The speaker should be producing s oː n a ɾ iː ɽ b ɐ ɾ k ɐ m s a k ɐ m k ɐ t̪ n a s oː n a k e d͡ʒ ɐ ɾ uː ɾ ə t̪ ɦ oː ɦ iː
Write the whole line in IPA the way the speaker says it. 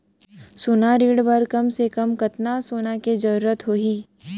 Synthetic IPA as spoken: s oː n a ɾ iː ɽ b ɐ ɾ k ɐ m s e k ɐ m k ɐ t̪ n a s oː n a k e d͡ʒ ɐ ɾ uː ɾ ə t̪ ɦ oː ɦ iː